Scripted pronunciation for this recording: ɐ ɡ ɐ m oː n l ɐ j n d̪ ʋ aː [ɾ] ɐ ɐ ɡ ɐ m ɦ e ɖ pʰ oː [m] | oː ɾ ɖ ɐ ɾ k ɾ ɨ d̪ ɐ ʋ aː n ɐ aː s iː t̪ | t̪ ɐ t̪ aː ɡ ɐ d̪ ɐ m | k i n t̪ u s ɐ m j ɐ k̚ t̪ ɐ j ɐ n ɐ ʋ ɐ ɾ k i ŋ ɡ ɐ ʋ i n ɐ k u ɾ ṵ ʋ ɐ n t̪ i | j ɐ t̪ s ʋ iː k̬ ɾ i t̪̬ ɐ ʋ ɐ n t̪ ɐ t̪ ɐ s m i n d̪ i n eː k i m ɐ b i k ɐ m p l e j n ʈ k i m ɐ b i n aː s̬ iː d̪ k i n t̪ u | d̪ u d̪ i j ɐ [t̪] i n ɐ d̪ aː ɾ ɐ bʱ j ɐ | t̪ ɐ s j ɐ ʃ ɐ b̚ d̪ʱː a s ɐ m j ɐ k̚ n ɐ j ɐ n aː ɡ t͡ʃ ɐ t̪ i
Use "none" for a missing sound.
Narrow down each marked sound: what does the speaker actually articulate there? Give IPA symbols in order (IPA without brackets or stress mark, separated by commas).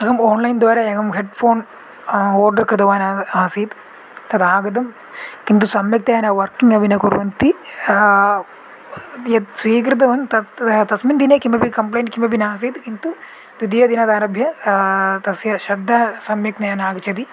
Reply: ɾ, n, d̪